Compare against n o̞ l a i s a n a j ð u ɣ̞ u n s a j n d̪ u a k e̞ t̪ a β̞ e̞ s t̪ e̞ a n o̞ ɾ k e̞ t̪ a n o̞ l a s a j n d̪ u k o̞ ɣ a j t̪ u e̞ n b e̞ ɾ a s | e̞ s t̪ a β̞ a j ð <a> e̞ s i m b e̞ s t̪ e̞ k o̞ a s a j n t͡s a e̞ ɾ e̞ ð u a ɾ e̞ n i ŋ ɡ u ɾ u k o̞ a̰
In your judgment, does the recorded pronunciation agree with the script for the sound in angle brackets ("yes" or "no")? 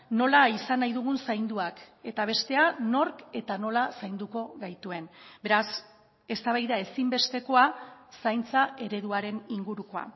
yes